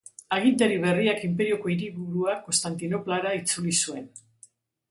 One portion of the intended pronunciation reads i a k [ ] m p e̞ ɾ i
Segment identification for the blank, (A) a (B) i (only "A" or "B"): B